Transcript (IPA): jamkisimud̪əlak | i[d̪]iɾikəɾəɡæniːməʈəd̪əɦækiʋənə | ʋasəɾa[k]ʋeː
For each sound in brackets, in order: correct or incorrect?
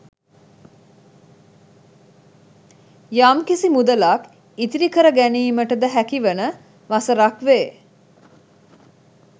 incorrect, correct

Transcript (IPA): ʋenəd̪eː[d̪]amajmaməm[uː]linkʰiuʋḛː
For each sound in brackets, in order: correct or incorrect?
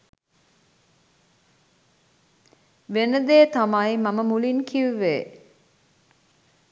incorrect, incorrect

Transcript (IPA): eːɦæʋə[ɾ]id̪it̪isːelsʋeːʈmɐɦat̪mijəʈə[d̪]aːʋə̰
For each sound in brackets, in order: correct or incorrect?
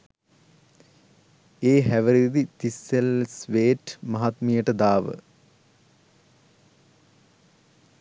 correct, correct

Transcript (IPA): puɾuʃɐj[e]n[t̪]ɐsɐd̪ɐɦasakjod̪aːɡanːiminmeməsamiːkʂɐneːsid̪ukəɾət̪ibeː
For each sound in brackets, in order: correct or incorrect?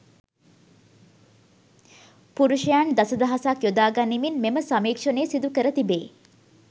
incorrect, incorrect

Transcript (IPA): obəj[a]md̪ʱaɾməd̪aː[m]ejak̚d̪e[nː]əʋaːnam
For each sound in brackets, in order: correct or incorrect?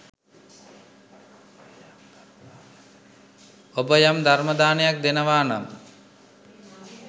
correct, incorrect, incorrect

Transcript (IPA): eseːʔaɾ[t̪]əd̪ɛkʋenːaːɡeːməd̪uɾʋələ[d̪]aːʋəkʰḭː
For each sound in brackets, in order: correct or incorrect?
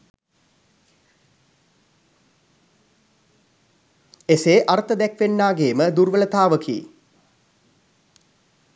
correct, incorrect

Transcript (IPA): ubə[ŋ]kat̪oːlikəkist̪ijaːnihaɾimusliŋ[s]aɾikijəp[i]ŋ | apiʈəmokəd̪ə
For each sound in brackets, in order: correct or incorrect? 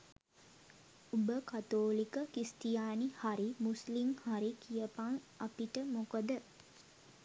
incorrect, incorrect, incorrect

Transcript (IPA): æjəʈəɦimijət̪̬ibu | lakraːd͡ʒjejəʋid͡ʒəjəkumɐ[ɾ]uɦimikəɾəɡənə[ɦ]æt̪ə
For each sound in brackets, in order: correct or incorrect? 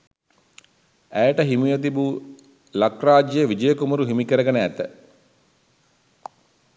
correct, incorrect

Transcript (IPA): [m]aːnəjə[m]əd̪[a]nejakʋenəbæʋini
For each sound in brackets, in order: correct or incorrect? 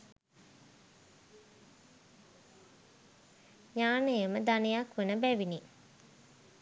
incorrect, correct, correct

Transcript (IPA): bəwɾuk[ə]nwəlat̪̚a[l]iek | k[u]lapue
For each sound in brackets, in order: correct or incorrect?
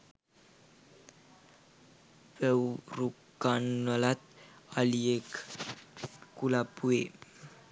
incorrect, correct, correct

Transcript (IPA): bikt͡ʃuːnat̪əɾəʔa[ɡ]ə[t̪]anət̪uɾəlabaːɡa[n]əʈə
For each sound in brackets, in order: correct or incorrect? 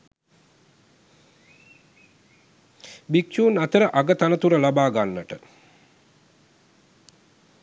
correct, correct, incorrect

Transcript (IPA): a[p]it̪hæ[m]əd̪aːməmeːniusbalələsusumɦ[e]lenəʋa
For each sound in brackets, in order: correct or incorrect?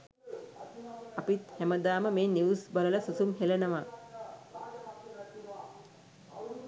correct, correct, correct

